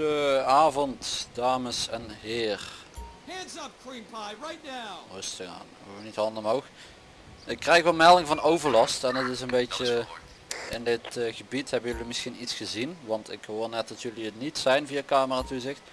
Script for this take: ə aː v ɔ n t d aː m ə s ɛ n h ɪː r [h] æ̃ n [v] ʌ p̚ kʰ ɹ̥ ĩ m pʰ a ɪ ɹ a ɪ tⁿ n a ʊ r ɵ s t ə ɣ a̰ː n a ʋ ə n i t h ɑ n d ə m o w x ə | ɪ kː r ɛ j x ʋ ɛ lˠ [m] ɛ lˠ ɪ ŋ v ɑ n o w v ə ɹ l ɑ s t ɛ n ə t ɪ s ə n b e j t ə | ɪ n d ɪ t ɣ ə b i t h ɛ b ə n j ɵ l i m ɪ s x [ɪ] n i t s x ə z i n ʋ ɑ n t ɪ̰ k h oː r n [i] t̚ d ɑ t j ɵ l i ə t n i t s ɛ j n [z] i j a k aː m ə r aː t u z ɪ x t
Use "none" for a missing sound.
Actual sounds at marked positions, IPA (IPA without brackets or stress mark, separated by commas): h, z, m, i, ɛ, v